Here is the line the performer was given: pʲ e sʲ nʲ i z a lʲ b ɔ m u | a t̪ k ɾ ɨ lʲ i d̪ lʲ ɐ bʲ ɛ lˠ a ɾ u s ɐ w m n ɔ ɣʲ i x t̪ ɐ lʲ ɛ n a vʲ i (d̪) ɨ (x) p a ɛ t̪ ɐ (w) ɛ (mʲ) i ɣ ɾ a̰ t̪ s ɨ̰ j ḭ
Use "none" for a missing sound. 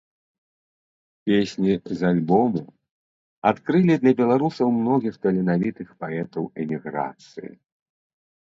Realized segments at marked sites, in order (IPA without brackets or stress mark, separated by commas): t̪, x, w, mʲ